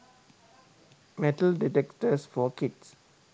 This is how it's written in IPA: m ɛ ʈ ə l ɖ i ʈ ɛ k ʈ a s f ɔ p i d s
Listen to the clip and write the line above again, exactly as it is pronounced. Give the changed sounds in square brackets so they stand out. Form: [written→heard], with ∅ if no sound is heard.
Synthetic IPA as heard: m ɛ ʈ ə l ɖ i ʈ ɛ k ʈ [a→ə] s f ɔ [p→k] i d s